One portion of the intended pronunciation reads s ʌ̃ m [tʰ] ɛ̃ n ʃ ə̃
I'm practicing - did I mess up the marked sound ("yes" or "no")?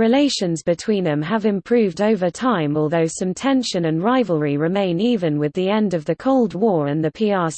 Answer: no